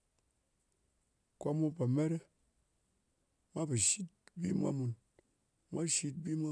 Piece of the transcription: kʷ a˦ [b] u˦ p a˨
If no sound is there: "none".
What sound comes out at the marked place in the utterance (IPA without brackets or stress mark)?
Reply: m